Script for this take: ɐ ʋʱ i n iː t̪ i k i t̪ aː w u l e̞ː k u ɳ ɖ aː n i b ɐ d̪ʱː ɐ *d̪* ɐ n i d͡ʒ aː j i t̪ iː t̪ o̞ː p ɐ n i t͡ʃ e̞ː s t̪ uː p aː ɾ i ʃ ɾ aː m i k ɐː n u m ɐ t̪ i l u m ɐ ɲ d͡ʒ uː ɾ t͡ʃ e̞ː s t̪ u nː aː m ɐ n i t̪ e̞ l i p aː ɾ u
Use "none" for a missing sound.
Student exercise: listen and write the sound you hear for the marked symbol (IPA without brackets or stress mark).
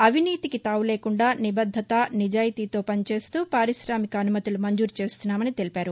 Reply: t̪